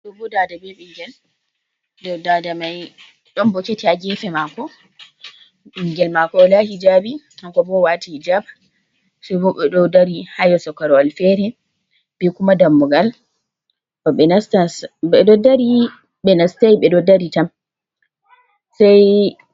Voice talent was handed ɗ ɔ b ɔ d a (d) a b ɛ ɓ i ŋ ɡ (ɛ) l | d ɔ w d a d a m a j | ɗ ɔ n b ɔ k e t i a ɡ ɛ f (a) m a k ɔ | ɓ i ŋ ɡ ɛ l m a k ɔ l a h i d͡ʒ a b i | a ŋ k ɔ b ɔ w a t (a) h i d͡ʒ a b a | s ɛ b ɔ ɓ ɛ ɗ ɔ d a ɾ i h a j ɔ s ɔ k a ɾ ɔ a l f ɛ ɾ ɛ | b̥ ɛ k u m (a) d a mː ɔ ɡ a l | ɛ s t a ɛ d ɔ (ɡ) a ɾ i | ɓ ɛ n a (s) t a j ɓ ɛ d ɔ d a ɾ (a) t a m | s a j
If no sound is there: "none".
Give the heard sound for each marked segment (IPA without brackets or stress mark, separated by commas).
d, ɛ, ɛ, i, a, d, s, i